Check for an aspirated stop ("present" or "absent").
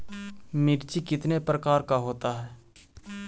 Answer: absent